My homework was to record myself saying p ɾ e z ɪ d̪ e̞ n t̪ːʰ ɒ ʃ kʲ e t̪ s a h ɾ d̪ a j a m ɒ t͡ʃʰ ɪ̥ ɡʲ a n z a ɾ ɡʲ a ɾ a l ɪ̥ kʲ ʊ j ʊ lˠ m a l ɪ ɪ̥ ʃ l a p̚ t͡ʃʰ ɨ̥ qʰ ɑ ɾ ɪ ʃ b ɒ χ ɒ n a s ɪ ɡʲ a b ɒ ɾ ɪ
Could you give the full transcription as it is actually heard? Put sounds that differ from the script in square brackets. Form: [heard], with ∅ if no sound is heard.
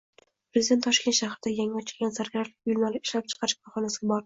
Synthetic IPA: p ɾ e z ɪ d̪ e̞ n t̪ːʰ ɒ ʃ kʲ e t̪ [ʃ] a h ɾ d̪ a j a [ŋ] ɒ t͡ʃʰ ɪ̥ ɡʲ a n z a ɾ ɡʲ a ɾ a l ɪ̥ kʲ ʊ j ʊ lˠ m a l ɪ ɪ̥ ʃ l a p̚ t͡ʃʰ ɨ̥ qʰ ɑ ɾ ɪ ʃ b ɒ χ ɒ n a s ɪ ɡʲ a b ɒ ɾ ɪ